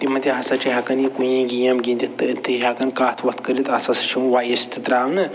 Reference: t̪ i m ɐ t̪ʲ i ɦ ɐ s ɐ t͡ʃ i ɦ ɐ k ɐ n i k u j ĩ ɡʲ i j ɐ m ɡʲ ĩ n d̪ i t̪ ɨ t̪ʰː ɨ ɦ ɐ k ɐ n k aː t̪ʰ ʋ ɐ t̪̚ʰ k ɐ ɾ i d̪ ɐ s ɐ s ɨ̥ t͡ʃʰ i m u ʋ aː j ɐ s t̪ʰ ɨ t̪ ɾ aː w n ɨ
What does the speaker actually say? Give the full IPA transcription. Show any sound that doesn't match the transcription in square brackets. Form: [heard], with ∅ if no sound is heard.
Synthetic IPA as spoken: t̪ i m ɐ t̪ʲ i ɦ ɐ s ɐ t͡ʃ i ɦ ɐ k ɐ n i k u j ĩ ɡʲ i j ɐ m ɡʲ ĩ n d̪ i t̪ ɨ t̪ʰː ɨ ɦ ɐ k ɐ n k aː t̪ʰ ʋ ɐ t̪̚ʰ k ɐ ɾ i [t̪] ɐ s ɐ s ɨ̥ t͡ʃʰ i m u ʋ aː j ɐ s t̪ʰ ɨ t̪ ɾ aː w n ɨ